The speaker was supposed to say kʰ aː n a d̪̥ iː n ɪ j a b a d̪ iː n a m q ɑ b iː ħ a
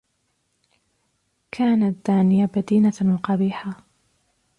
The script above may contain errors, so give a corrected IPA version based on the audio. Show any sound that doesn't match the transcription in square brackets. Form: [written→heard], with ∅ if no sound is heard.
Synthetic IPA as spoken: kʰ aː n a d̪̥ [iː→aː] n ɪ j a b a d̪ iː n a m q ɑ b iː ħ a

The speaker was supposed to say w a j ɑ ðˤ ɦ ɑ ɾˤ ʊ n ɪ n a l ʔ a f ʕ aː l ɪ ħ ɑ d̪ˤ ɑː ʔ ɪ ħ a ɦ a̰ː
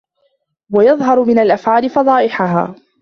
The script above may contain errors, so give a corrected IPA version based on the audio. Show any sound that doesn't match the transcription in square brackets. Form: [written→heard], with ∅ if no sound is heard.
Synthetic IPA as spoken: w a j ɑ ðˤ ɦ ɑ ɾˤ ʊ [n→m] ɪ n a l ʔ a f ʕ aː l ɪ [ħ→f] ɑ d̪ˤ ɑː ʔ ɪ ħ a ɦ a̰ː

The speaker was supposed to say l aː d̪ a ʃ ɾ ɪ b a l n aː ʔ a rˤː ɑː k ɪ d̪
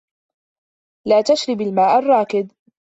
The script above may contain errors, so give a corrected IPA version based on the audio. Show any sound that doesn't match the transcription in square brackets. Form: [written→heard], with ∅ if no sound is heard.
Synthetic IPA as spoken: l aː [d̪→t̪] a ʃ ɾ ɪ b a l [n→m] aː ʔ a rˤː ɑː k ɪ d̪

